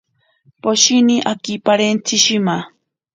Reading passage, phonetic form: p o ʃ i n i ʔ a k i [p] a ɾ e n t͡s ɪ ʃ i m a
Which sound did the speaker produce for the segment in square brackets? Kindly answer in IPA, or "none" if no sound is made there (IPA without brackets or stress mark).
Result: p